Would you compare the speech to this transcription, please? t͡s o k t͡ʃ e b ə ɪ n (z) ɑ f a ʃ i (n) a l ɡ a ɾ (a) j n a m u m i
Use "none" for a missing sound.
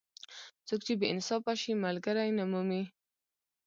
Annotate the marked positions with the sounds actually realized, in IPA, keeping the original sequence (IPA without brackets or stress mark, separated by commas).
s, m, a